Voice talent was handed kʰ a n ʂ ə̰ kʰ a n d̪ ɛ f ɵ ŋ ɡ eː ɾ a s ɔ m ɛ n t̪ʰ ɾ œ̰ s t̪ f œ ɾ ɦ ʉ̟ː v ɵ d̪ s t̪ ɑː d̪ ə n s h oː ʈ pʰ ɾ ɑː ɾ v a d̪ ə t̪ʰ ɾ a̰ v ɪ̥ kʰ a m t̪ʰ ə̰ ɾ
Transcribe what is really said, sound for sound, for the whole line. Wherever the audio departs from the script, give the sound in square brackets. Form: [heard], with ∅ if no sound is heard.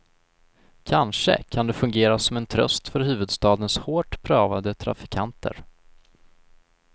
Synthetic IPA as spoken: kʰ a n ʂ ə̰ kʰ a n d̪ ɛ f ɵ ŋ ɡ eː ɾ a s ɔ m ɛ n t̪ʰ ɾ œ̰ s t̪ f œ ɾ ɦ ʉ̟ː v ɵ d̪ s t̪ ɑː d̪ ə n s h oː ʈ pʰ ɾ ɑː [∅] v a d̪ ə t̪ʰ ɾ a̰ [f] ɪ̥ kʰ a [n] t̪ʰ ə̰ ɾ